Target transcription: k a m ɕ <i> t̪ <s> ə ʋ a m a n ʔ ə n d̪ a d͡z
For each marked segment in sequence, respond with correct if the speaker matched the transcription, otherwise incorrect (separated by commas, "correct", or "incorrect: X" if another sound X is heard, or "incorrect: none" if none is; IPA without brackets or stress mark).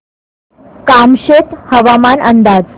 incorrect: e, incorrect: h